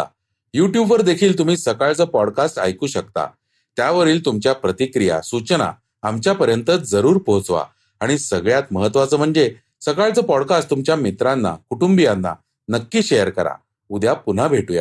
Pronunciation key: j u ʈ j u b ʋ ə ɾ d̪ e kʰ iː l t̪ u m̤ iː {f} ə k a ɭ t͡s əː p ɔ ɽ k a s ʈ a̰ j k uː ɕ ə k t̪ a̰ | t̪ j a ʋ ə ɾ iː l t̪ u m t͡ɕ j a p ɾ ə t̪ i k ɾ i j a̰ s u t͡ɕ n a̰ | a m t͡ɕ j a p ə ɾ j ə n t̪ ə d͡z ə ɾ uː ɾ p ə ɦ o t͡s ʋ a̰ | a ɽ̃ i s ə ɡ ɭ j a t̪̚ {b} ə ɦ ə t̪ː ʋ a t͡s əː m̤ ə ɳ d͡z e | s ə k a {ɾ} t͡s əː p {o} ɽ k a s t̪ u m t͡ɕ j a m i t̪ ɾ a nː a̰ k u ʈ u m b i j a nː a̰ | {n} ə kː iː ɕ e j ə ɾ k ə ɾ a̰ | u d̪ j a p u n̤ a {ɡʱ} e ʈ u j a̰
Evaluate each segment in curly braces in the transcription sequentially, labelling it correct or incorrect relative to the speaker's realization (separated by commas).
incorrect, incorrect, incorrect, incorrect, correct, incorrect